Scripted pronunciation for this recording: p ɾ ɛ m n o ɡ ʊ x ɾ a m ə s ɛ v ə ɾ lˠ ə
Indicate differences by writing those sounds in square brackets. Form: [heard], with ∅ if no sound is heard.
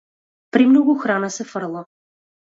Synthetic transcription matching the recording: p ɾ [i] m n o ɡ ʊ x ɾ a [n] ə s ɛ [f] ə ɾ lˠ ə